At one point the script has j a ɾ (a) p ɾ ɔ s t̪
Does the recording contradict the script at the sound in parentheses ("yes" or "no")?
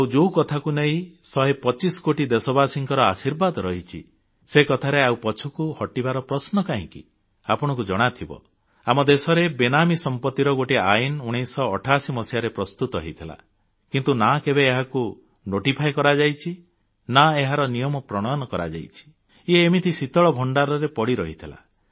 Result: yes